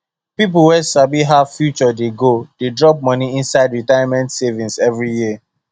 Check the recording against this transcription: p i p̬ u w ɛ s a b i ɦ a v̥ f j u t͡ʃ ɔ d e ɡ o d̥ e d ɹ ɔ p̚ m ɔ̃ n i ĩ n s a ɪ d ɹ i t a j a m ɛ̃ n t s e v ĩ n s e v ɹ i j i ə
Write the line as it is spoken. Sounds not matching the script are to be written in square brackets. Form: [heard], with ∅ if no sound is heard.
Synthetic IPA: p i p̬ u w ɛ s a b i ɦ a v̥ f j u t͡ʃ ɔ d e ɡ o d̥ e d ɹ ɔ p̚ m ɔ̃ n i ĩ n s a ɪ d ɹ i t a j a m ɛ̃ n t s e v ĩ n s [ɛ] v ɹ i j i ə

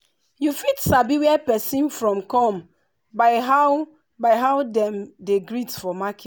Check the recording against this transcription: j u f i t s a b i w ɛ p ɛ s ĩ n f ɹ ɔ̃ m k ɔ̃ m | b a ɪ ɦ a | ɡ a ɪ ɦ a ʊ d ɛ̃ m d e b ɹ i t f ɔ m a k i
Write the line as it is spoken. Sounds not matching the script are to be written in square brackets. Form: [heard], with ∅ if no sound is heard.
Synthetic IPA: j u f i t s a b i w ɛ p ɛ s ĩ n f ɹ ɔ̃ m k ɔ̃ m | b a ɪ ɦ a | [b] a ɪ ɦ a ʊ d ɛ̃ m d e [ɡ] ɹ i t f ɔ m a k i

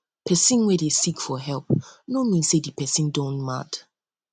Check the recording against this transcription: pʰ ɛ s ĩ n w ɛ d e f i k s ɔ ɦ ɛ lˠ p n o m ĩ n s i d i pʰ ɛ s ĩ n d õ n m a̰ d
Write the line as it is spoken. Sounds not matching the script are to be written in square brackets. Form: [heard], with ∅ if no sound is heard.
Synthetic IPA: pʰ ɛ s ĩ n w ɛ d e [s] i k [f] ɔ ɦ ɛ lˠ p n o m ĩ n s [e] d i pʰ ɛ s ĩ n d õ n m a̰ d

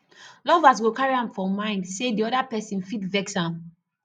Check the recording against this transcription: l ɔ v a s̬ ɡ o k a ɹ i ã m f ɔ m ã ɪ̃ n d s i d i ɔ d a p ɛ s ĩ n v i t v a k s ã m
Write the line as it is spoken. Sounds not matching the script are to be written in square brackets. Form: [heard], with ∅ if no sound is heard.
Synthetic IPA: l ɔ v a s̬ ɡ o k a ɹ i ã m f ɔ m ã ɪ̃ n d s [e] d i ɔ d a p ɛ s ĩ n [f] i t v [ɛ] k s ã m

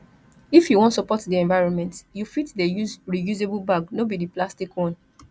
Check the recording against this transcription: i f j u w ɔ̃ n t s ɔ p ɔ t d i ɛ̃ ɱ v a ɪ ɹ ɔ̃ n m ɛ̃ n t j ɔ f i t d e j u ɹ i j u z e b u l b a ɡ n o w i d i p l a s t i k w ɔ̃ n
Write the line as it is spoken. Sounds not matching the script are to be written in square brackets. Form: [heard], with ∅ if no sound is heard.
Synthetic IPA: i f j u w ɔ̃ n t s ɔ p ɔ t d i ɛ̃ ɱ v a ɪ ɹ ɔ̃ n m ɛ̃ n t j [u] f i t d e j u ɹ i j u z e b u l b a ɡ n o [b] i d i p l a s t i k w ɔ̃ n

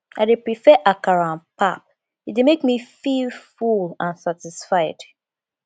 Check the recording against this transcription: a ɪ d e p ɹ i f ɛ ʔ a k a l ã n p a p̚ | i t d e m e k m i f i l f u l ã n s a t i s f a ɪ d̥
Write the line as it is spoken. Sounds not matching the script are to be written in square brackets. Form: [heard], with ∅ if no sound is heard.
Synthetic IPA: a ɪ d e p ɹ i f ɛ ʔ a k a [ɹ] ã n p a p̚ | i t d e m e k m i f i l f u l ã n s a t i s f a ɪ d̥

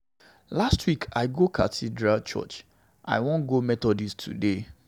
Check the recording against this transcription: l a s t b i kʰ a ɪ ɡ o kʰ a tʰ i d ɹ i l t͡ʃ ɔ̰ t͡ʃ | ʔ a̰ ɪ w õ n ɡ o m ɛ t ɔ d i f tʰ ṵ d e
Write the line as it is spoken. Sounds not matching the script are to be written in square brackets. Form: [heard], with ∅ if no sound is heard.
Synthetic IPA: l a s t [w] i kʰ a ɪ ɡ o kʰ a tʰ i d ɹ [a] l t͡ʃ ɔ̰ t͡ʃ | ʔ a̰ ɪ w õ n ɡ o m ɛ t ɔ d i [s] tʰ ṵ d e

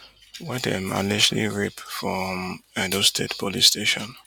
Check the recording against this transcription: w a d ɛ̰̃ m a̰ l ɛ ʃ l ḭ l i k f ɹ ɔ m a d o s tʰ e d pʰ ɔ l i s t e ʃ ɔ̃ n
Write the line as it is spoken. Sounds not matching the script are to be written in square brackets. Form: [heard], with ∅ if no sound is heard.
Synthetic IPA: w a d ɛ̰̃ m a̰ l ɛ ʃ l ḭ [ɹ] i [p] f ɹ ɔ m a d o s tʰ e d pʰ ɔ l i s t e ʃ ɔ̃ n

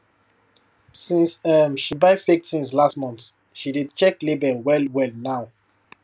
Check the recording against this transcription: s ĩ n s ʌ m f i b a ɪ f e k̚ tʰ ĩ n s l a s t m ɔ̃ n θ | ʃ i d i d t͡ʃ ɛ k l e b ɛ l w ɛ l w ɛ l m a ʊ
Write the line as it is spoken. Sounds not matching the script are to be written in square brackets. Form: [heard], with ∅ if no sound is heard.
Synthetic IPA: s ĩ n s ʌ m [ʃ] i b a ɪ f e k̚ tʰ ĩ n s l a s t m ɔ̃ n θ | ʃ i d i d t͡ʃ ɛ k l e b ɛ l w ɛ l w ɛ l [n] a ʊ

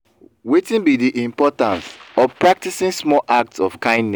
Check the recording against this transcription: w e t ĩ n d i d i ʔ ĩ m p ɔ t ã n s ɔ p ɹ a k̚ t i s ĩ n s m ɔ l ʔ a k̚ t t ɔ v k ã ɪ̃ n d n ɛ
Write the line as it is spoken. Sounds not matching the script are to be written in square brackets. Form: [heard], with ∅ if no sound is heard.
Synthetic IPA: w e t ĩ n [b] i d i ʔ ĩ m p ɔ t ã n s ɔ p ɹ a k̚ t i s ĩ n s m ɔ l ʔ a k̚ t [s] ɔ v k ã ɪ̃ n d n ɛ

